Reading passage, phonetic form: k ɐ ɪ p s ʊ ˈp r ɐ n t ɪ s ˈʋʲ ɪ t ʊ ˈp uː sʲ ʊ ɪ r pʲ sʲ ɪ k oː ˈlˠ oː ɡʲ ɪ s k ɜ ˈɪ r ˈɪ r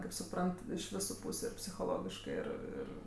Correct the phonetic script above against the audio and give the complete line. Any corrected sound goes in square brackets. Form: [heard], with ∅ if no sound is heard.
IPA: k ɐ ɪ p s ʊ ˈp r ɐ n t ɪ [ʃ] ˈʋʲ ɪ [s] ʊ ˈp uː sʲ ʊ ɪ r pʲ sʲ ɪ [x] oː ˈlˠ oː ɡʲ ɪ [ʃ] k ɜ ˈɪ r ˈɪ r